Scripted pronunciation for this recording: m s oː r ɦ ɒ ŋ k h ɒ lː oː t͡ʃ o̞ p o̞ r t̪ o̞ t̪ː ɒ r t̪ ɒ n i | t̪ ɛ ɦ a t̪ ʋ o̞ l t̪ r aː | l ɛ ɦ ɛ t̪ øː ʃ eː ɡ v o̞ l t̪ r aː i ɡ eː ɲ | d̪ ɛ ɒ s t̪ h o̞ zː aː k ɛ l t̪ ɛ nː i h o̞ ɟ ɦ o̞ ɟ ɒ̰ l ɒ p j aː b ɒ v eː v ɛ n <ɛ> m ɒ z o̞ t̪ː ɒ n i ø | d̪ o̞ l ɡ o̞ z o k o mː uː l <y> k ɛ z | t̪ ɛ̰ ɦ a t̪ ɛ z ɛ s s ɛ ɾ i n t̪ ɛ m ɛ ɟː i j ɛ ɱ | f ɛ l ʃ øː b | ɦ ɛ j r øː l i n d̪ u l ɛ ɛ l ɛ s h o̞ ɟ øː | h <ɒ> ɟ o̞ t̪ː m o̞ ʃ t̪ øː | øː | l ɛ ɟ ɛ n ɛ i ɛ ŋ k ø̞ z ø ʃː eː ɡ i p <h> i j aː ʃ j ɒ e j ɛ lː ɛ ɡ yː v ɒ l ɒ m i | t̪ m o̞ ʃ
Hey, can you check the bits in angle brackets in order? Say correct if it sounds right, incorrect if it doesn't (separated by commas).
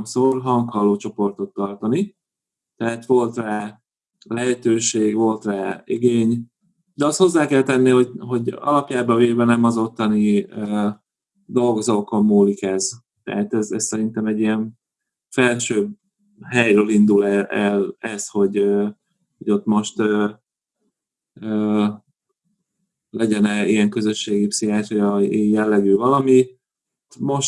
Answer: correct, incorrect, incorrect, incorrect